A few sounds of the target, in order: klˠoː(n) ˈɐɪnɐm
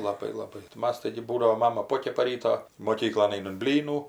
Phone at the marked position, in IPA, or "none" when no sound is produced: n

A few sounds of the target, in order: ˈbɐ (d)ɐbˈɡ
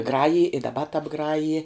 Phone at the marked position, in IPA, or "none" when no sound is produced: t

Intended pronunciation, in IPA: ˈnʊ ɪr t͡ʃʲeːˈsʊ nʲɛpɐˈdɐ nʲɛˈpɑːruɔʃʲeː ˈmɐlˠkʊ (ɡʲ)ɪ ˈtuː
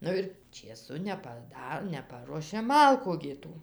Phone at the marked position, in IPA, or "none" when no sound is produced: ɡʲ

